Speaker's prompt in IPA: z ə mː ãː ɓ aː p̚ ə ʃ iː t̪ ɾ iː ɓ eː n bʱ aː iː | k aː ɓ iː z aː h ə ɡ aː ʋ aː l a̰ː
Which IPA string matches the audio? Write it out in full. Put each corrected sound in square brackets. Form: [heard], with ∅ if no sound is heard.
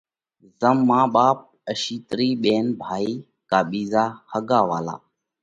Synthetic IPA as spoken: z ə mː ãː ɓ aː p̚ ə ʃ iː t̪ ɾ iː ɓ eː n bʱ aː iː | k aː ɓ iː z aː h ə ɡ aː ʋ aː l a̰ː